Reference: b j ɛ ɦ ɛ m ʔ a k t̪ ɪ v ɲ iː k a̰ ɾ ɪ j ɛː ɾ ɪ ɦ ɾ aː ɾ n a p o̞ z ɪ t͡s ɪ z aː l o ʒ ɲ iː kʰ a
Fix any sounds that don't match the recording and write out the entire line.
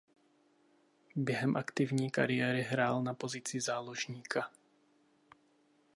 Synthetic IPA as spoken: b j ɛ ɦ ɛ m ʔ a k t̪ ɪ v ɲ iː k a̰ ɾ ɪ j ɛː ɾ ɪ ɦ ɾ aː l n a p o̞ z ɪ t͡s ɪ z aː l o ʒ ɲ iː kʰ a